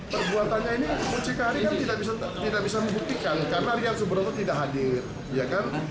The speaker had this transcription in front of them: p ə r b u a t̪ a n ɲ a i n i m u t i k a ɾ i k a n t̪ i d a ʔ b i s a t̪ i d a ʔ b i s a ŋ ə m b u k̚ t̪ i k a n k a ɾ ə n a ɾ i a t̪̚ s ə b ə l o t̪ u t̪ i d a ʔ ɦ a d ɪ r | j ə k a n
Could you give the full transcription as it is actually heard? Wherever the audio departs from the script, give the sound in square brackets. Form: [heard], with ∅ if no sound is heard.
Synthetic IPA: p ə r b u a t̪ a n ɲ a i n i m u [t͡ʃ] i k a ɾ i k a n t̪ i d a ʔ b i s a t̪ i d a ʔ b i s a [m] ə m b u k̚ t̪ i k a n k a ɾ ə n a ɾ i a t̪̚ s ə b ə [ɾ] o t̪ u t̪ i d a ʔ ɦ a d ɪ r | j [a] k a n